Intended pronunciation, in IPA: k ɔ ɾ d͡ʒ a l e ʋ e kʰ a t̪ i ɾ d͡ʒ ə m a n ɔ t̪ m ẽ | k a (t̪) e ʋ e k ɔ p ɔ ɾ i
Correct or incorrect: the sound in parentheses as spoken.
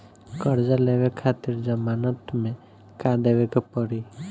incorrect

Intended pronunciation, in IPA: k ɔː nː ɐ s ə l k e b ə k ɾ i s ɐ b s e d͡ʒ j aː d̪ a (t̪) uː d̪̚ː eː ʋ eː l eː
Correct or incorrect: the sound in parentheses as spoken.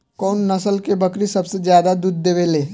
incorrect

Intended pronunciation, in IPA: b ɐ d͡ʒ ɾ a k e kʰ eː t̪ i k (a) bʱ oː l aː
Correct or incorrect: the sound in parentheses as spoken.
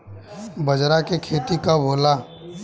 correct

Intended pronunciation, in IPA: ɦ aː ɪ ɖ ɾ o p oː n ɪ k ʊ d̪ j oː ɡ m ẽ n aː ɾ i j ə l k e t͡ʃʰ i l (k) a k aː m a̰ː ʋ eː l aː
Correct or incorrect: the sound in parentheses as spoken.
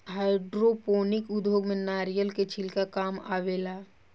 correct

